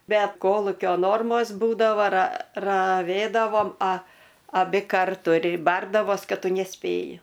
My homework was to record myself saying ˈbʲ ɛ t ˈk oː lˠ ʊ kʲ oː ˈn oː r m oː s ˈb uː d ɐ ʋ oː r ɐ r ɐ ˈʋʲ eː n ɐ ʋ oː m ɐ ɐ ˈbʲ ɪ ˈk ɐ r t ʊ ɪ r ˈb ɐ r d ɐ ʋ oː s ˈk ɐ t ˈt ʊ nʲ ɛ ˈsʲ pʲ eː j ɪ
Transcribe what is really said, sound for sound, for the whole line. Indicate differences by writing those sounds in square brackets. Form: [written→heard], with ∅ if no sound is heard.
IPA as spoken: ˈbʲ ɛ t ˈk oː lˠ ʊ kʲ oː ˈn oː r m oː s ˈb uː d ɐ ʋ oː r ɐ r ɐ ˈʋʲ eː [n→d] ɐ ʋ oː m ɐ ɐ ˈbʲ ɪ ˈk ɐ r t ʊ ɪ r ˈb ɐ r d ɐ ʋ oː s ˈk ɐ t ˈt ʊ nʲ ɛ ˈsʲ pʲ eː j ɪ

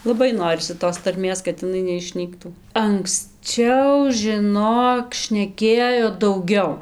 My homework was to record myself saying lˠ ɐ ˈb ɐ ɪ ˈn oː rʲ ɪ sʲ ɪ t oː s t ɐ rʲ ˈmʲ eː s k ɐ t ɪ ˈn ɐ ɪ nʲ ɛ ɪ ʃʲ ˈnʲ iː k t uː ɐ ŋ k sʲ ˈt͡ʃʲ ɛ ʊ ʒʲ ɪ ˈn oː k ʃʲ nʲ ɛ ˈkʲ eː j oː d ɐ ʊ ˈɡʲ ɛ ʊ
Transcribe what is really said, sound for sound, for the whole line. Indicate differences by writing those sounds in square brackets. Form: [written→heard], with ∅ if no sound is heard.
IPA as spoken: lˠ ɐ ˈb ɐ ɪ ˈn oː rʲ ɪ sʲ ɪ t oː s t ɐ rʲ ˈmʲ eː s k ɐ t ɪ ˈn ɐ ɪ nʲ ɛ ɪ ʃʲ ˈnʲ iː k t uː ɐ ŋ k sʲ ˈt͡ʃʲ ɛ ʊ ʒʲ ɪ ˈn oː k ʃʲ nʲ ɛ ˈkʲ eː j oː d ɐ ʊ ˈɡʲ ɛ ʊ

